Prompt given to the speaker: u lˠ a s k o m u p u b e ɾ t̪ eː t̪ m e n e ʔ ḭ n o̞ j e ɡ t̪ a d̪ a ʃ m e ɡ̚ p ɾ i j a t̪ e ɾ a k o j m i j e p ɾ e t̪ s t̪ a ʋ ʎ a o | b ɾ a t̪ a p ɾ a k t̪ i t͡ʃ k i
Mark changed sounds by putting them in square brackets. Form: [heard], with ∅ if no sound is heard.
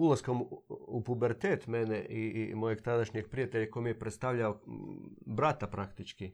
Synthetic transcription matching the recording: u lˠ a s k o m u p u b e ɾ t̪ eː t̪ m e n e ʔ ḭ [m] o̞ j e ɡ t̪ a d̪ a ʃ [ɲ] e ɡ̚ p ɾ i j a t̪ e [ʎ] a k o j m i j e p ɾ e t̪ s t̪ a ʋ ʎ a o | b ɾ a t̪ a p ɾ a k t̪ i t͡ʃ k i